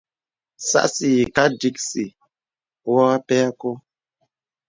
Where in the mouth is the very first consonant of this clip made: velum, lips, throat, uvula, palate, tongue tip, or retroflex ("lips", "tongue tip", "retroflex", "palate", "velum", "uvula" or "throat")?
tongue tip